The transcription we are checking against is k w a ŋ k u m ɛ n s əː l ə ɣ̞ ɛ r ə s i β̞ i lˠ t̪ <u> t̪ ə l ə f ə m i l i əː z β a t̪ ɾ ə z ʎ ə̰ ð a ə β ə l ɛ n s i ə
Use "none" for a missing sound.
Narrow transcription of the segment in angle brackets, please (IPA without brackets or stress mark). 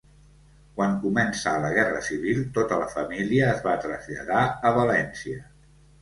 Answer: o